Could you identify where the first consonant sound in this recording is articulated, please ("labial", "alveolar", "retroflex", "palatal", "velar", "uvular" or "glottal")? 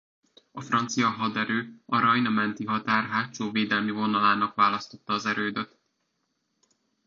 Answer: labial